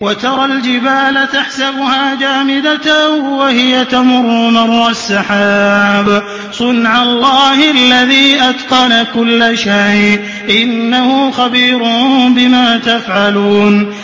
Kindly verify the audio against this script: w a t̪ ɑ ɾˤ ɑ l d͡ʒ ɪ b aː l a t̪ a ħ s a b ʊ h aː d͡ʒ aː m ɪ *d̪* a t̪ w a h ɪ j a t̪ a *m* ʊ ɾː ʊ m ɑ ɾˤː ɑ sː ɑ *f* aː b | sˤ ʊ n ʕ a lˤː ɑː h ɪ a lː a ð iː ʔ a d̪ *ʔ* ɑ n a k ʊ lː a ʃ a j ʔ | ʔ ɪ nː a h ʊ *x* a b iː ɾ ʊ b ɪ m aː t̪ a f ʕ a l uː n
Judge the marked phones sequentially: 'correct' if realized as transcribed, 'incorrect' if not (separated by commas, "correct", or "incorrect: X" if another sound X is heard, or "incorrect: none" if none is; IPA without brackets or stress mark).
correct, correct, incorrect: ħ, incorrect: q, correct